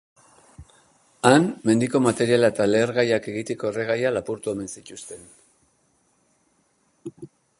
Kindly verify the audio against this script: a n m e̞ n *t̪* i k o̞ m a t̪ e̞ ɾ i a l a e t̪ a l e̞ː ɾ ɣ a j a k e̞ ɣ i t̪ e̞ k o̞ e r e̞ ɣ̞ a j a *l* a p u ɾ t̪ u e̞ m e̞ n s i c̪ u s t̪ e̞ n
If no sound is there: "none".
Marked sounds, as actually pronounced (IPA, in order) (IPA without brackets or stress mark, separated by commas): d̪, l